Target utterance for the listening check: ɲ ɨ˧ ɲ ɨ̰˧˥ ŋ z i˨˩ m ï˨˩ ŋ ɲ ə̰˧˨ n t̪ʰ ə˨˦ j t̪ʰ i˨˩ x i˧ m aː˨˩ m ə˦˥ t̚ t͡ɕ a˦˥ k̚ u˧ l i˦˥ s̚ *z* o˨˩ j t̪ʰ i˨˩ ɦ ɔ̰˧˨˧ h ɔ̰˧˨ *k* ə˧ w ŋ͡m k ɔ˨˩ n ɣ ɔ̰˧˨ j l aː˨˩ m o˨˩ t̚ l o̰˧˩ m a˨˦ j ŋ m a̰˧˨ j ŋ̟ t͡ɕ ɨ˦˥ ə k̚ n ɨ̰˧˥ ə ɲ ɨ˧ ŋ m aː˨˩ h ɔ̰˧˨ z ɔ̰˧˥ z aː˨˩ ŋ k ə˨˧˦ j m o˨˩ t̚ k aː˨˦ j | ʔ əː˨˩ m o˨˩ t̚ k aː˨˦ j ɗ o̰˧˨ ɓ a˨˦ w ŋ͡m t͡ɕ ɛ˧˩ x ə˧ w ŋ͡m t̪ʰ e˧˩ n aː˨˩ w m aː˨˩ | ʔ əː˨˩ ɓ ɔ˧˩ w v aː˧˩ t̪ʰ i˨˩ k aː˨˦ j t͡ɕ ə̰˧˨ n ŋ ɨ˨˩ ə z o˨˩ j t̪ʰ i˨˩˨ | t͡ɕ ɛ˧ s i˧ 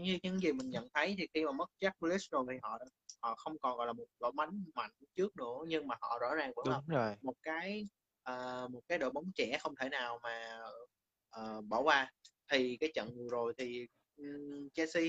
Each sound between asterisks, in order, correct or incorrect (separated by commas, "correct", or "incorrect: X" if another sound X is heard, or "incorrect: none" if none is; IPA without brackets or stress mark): correct, incorrect: x